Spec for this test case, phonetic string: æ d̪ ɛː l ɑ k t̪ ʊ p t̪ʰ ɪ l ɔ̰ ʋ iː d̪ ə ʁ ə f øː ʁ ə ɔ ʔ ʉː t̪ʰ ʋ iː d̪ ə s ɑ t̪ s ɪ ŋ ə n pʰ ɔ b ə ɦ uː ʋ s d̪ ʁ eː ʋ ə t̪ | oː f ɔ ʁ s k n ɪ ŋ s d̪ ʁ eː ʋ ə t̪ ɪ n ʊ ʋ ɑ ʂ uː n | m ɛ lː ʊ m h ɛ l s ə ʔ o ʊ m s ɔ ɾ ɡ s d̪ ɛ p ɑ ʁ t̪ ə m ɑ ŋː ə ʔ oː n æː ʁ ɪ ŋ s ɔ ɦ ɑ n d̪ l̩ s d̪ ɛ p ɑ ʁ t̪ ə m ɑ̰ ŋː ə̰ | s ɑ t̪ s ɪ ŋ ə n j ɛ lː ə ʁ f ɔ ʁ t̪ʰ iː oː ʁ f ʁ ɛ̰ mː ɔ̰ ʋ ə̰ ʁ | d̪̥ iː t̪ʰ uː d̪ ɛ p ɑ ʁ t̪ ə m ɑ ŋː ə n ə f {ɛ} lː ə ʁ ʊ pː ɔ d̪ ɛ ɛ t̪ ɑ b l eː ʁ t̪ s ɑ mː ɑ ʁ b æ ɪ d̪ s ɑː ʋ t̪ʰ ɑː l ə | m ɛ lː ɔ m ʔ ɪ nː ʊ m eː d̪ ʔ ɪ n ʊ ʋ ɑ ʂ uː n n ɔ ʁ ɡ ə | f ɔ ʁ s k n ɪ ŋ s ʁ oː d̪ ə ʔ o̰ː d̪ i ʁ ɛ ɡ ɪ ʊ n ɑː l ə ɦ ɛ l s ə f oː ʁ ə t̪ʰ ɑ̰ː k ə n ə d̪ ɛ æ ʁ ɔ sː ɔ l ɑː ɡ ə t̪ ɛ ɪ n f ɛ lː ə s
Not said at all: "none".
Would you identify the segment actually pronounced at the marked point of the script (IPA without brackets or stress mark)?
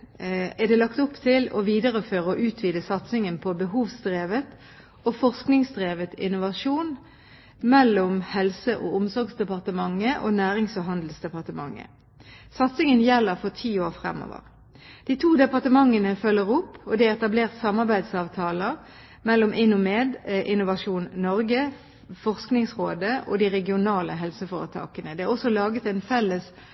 œ